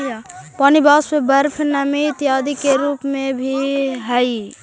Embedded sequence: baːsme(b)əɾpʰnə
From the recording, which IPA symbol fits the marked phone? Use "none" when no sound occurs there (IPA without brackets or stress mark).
b